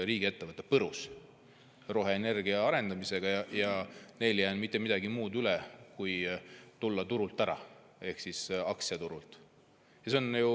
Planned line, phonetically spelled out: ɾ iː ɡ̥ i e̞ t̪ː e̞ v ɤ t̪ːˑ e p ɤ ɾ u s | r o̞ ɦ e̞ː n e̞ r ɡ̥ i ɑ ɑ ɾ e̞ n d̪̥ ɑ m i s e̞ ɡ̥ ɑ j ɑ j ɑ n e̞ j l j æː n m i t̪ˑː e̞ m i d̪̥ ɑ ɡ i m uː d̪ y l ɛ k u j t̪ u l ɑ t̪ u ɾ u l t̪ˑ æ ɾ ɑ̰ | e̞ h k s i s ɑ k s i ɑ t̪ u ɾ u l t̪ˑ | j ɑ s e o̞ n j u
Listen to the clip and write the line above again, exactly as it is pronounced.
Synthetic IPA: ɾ iː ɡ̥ i e̞ t̪ː e̞ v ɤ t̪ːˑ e p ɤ ɾ u s | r o̞ ɦ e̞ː n e̞ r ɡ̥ i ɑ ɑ ɾ e̞ n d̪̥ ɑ m i s e̞ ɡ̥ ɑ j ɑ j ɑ n e̞ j l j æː n m i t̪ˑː e̞ m i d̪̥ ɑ ɡ i m uː d̪ y l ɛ k u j t̪ u lː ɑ t̪ u ɾ u l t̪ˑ æ ɾ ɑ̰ | e̞ h k s i s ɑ k s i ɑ t̪ u ɾ u l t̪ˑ | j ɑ s e o̞ n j u